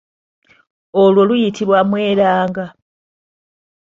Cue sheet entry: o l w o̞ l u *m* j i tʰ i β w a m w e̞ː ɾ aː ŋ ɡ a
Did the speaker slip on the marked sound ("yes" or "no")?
yes